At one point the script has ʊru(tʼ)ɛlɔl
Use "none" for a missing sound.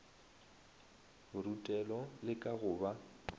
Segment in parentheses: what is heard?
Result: tʼ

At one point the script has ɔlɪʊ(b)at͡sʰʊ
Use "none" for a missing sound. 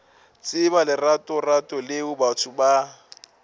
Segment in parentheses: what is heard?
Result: b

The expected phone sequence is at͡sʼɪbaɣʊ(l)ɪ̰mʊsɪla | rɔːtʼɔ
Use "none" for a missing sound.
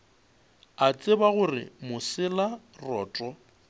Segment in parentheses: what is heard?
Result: r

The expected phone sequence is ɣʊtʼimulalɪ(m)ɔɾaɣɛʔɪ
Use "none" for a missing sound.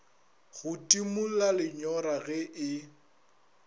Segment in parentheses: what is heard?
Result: ɲ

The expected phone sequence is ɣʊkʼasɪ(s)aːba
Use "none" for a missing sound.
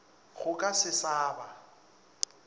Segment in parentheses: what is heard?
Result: s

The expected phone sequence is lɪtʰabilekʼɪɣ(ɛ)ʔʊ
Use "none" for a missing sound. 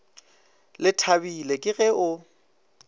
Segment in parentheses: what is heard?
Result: ɛ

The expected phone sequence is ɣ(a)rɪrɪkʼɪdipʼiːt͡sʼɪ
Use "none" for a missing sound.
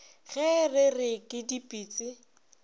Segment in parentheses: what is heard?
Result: ɛ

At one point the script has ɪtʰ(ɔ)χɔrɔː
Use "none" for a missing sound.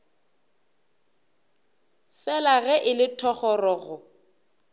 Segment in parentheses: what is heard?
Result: ɔ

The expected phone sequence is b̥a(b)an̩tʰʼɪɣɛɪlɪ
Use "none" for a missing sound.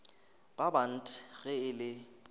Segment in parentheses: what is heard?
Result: b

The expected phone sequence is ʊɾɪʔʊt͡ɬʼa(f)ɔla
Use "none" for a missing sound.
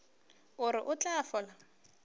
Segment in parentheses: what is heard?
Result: f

